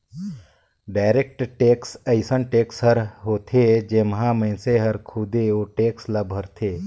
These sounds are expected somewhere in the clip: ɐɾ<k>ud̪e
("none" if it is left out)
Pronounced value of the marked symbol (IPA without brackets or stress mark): kʰ